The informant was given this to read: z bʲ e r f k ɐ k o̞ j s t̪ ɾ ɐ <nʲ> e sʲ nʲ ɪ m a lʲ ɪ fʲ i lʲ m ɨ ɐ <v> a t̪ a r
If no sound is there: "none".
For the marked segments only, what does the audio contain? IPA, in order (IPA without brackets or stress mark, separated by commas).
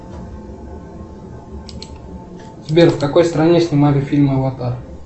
nʲ, v